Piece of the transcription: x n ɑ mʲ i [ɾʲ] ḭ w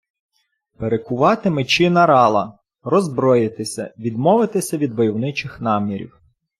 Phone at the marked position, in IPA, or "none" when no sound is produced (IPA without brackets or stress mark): ɾʲ